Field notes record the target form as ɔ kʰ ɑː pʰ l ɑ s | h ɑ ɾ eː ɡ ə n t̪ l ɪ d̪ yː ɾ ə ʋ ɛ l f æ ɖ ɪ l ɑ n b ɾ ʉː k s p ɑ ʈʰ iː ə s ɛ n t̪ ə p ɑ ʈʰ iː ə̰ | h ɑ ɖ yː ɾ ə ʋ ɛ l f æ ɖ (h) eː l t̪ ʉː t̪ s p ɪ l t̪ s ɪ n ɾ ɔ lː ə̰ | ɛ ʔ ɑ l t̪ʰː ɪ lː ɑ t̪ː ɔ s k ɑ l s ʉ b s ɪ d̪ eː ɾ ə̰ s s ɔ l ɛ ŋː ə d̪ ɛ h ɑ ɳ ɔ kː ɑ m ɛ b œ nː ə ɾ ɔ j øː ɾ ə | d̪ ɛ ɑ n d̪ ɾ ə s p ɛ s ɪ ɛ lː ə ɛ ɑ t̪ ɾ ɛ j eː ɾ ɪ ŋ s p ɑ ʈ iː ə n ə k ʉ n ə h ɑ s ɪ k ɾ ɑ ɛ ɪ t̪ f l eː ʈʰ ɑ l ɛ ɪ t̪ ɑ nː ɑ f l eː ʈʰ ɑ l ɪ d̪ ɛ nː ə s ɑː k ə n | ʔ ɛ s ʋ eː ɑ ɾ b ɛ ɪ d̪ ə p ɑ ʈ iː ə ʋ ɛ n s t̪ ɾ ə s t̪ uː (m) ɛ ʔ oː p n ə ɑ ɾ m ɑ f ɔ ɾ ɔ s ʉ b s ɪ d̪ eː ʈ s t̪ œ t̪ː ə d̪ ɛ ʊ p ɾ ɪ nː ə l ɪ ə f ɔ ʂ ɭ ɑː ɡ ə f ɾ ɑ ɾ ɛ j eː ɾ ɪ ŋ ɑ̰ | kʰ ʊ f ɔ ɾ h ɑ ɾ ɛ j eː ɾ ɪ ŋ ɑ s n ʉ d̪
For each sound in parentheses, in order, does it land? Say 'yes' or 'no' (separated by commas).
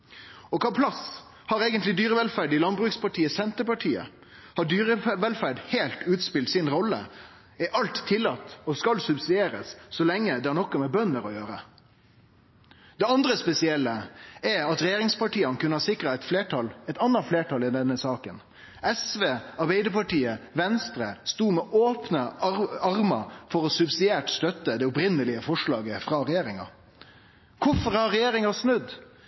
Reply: yes, yes